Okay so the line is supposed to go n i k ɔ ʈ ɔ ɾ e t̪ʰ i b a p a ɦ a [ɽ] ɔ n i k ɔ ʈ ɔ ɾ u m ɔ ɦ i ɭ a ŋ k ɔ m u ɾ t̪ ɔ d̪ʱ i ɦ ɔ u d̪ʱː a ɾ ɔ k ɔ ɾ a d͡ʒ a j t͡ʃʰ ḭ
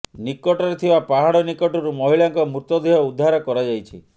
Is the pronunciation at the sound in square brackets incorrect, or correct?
correct